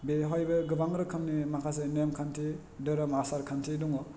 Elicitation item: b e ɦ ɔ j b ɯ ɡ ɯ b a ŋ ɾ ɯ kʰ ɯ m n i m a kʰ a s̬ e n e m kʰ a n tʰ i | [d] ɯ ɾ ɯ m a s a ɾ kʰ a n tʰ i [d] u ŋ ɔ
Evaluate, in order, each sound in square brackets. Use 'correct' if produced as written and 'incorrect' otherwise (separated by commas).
correct, correct